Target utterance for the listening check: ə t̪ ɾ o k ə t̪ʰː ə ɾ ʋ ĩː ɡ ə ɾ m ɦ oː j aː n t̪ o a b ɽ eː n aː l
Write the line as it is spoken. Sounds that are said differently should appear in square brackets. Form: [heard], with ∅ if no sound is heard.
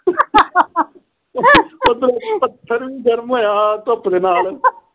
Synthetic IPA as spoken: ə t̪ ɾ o [p] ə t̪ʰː ə ɾ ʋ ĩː ɡ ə ɾ m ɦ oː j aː [∅] t̪ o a [p] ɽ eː n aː l

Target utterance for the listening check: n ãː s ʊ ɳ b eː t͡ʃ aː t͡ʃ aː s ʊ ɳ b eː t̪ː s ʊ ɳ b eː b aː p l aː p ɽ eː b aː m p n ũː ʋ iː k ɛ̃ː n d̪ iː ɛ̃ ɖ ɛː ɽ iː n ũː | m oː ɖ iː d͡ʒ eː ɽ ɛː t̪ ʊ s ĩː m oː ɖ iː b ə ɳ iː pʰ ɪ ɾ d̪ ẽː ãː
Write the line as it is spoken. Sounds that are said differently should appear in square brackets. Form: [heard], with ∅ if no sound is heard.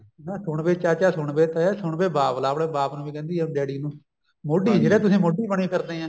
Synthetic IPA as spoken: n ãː s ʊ ɳ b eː t͡ʃ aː t͡ʃ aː s ʊ ɳ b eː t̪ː s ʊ ɳ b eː b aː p l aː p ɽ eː b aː [∅] p n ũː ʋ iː k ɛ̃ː n d̪ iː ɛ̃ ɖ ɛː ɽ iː n ũː | m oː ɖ iː d͡ʒ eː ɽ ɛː t̪ ʊ s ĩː m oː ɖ iː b ə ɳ iː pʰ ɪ ɾ d̪ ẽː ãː

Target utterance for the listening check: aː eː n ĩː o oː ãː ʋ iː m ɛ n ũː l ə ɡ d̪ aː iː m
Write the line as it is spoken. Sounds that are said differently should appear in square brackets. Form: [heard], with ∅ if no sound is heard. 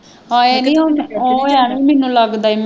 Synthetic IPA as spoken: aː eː n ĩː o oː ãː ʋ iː m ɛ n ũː l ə ɡ d̪ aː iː m

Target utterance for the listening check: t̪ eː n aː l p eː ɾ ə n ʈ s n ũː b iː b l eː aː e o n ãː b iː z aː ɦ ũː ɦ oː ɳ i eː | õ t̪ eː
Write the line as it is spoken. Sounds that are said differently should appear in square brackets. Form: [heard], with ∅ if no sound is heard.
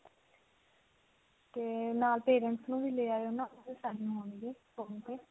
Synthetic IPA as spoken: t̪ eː n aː l p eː ɾ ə [ɳ] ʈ s n ũː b iː [∅] l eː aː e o n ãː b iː [s] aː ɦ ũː ɦ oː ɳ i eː | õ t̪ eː

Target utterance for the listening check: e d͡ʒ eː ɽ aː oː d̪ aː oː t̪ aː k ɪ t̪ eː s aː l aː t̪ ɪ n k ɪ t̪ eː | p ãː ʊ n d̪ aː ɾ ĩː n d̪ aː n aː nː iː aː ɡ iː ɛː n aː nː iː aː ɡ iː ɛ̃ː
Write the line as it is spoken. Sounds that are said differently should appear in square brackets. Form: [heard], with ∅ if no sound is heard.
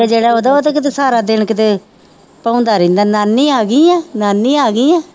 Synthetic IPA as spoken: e d͡ʒ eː ɽ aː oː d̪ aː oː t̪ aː k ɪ t̪ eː s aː [ɾ] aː [d̪] ɪ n k ɪ t̪ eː | p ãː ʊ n d̪ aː ɾ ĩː n d̪ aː n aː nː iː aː ɡ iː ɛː n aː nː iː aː ɡ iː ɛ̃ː

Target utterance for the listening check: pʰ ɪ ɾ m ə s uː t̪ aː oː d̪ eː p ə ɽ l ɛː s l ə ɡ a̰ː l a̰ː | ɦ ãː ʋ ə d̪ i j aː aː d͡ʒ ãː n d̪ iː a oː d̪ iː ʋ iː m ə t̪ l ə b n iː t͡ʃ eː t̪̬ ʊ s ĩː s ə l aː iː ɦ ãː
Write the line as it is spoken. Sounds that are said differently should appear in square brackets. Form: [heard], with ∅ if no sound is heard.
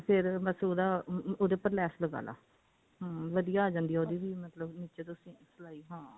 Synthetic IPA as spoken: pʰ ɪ ɾ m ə s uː [d̪] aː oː d̪ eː p ə [ɾ] l ɛː s l ə ɡ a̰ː l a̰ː | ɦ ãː ʋ ə d̪ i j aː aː d͡ʒ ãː n d̪ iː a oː d̪ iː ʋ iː m ə t̪ l ə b n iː t͡ʃ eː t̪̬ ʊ s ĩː s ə l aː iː ɦ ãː

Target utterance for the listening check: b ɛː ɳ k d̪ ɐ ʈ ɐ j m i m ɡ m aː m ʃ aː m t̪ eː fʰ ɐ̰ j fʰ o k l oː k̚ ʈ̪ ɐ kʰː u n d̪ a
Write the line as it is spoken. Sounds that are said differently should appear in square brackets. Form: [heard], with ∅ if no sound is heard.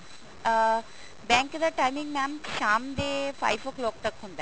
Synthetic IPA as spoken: b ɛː [ŋ] k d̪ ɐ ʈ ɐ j m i [ŋ] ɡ m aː m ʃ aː m [d̪] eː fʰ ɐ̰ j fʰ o k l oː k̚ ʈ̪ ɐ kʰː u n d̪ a

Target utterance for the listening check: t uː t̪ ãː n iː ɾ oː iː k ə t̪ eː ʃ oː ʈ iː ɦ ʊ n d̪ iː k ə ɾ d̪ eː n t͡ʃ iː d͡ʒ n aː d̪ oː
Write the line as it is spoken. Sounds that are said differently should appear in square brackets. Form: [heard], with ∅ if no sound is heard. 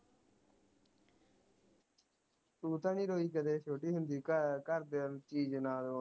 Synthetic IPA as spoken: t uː t̪ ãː n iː ɾ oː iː k ə [d̪] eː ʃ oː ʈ iː ɦ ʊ n d̪ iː k ə ɾ d̪ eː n t͡ʃ iː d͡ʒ n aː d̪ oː

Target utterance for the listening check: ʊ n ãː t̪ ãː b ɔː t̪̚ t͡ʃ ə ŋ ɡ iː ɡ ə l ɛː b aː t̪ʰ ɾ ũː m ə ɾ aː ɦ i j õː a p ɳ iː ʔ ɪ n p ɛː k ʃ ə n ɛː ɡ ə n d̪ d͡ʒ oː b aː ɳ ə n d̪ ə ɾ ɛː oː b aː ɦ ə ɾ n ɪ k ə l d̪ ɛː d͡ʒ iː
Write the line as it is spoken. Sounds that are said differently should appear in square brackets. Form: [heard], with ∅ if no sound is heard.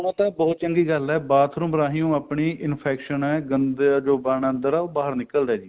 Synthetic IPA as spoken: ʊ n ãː t̪ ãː b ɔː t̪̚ t͡ʃ ə ŋ ɡ iː ɡ ə l ɛː b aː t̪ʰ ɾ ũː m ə ɾ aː ɦ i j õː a p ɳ iː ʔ ɪ n [pʰ] ɛː k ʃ ə n ɛː ɡ ə n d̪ d͡ʒ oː b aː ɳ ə n d̪ ə ɾ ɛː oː b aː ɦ ə ɾ n ɪ k ə l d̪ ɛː d͡ʒ iː

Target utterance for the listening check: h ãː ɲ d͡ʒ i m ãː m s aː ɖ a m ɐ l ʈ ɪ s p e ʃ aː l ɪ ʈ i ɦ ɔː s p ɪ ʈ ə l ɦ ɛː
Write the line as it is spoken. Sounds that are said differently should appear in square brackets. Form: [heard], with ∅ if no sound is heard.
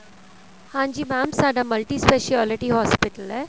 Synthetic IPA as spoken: h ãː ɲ d͡ʒ i m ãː m s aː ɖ a m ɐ l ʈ [i] s p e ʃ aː l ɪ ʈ i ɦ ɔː s p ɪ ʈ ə l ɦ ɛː

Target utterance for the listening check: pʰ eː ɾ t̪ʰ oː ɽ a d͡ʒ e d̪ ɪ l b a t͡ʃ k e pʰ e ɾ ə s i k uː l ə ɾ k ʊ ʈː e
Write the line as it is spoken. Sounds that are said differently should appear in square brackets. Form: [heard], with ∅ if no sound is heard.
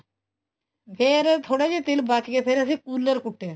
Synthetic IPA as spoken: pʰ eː ɾ t̪ʰ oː ɽ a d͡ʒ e [t̪] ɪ l b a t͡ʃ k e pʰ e ɾ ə s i k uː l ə ɾ k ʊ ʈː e

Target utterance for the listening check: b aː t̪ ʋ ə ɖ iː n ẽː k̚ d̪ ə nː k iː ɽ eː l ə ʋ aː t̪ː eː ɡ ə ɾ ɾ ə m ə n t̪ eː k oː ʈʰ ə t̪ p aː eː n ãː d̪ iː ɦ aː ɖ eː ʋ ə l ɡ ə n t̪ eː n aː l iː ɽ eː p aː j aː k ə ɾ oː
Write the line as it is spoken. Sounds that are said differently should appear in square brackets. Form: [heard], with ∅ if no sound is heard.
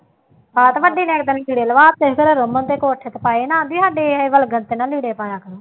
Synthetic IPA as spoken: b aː t̪ ʋ ə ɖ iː n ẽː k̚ d̪ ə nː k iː ɽ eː l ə ʋ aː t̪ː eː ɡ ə ɾ ɾ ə m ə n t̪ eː k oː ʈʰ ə t̪ p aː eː n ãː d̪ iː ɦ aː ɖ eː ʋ ə l ɡ ə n t̪ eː n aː l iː ɽ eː p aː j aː k ə ɾ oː

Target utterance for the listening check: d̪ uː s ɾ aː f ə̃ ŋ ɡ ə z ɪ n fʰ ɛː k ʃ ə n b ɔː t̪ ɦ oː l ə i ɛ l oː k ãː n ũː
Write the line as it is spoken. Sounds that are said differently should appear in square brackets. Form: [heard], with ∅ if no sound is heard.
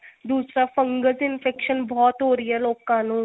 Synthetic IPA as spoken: d̪ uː s ɾ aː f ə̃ ŋ ɡ ə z ɪ n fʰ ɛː k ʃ ə n b ɔː t̪ ɦ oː [ɾ] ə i ɛ l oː k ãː n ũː

